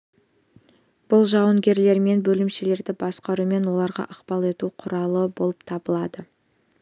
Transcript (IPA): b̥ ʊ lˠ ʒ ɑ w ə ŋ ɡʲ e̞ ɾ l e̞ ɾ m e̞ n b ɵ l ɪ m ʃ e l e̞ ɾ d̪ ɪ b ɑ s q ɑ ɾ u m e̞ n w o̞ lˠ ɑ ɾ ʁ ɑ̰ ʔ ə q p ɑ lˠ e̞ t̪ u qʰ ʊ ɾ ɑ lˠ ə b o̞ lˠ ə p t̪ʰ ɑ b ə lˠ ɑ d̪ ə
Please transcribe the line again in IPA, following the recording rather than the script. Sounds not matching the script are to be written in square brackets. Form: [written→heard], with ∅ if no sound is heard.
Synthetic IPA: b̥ ʊ lˠ ʒ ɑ w ə ŋ ɡʲ e̞ ɾ l e̞ ɾ m e̞ n b ɵ l ɪ m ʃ e l e̞ ɾ d̪ ɪ b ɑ s q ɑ ɾ u m e̞ n w o̞ lˠ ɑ ɾ ʁ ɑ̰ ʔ ə q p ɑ lˠ e̞ t̪ u qʰ ʊ ɾ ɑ lˠ ə b o̞ lˠ ə p t̪ʰ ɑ b ə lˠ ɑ d̪ ə